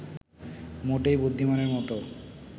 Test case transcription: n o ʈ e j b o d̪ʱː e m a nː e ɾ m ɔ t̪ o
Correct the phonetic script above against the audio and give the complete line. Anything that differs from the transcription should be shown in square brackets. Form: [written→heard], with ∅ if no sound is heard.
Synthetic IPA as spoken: [n→m] o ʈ e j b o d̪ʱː [e→i] m a [nː→n] e ɾ m ɔ t̪ o